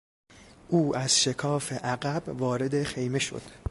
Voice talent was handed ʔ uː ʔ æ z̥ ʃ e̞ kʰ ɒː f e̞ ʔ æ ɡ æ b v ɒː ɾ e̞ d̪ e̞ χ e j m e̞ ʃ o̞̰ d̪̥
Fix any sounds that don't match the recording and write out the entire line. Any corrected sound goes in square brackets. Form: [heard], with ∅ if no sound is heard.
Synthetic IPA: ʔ uː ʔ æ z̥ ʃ e̞ kʰ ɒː f e̞ ʔ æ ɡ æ b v ɒː ɾ e̞ d̪ e̞ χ e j m e̞ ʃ o̞̰ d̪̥